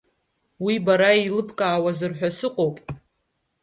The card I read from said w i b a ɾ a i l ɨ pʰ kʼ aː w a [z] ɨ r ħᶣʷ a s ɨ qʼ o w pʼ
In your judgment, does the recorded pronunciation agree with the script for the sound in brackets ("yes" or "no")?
yes